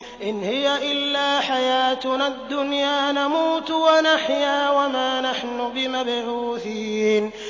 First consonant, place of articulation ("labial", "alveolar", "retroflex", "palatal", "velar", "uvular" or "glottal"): glottal